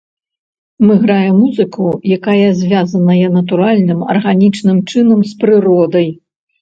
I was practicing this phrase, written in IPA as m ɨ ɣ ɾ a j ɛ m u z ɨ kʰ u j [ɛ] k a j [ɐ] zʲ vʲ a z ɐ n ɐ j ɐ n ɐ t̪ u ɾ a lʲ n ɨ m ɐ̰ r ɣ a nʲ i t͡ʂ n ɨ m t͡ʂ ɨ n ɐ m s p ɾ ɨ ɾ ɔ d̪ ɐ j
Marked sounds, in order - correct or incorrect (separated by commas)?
incorrect, correct